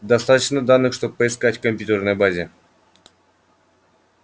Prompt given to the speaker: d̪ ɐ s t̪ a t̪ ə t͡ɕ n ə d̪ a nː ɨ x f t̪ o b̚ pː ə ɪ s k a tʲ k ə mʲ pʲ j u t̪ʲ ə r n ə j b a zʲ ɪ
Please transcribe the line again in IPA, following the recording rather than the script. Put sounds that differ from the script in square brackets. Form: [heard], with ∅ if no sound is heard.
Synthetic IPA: d̪ ɐ s t̪ a t̪ ə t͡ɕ n ə d̪ a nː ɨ x [ʂ] t̪ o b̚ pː ə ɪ s k a tʲ k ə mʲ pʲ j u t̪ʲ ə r n ə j b a zʲ ɪ